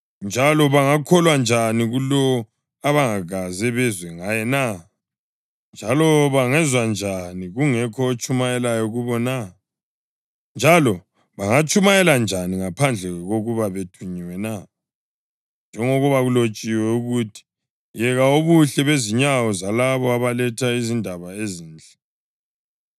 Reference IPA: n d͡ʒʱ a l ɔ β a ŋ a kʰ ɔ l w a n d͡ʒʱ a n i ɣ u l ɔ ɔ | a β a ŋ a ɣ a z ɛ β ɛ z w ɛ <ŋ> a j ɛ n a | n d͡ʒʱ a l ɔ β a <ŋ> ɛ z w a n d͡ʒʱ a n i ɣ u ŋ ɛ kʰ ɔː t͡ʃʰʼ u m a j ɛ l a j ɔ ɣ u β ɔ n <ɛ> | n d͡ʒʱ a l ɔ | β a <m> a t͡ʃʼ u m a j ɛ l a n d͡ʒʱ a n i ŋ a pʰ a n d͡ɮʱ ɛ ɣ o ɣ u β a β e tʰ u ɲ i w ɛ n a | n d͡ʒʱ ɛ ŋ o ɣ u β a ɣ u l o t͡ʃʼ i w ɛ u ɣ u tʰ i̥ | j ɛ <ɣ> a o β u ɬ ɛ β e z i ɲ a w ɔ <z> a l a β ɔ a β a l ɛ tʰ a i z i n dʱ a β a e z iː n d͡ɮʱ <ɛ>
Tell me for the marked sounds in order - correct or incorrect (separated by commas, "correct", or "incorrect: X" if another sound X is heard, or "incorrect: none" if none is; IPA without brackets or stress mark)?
correct, correct, incorrect: a, incorrect: ŋ, correct, correct, correct